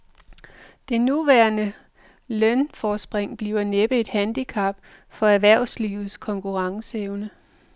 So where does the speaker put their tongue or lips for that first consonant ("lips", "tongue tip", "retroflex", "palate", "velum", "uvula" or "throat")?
tongue tip